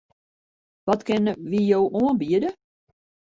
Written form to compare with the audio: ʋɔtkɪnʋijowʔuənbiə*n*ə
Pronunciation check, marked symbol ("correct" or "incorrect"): incorrect